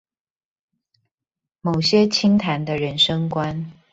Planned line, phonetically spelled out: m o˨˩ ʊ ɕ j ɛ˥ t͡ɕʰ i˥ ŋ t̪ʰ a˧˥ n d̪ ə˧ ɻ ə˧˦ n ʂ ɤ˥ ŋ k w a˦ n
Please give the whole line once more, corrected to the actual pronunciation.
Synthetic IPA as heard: m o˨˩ ʊ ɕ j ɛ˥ t͡ɕʰ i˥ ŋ t̪ʰ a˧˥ n d̪ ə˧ ɻ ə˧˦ n ʂ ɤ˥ ŋ k w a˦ n